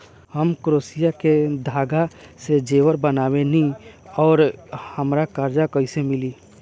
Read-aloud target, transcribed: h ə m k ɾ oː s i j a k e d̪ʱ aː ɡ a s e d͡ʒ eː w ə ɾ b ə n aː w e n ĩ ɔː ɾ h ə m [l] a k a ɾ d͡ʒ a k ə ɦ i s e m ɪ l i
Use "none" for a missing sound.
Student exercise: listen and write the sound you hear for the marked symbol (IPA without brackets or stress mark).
ɾ